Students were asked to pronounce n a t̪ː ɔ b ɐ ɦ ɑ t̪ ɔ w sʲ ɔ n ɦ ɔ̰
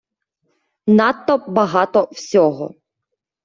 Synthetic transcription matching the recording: n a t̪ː ɔ b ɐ ɦ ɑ t̪ ɔ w sʲ ɔ ɦ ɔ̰